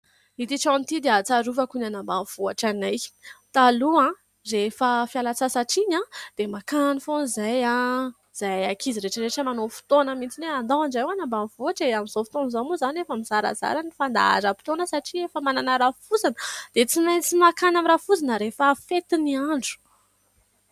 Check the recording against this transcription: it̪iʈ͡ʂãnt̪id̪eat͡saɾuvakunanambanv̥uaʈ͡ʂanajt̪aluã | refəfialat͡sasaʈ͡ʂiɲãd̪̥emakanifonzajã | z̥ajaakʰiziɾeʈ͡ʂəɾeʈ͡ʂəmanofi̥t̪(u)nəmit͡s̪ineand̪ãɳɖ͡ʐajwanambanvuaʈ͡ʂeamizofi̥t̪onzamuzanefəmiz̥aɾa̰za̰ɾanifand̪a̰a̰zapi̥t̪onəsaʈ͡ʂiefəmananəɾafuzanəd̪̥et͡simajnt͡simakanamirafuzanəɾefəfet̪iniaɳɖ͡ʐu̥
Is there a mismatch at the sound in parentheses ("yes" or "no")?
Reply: yes